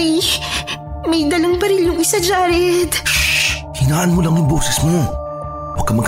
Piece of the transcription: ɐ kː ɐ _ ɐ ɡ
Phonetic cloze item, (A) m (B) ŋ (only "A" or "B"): A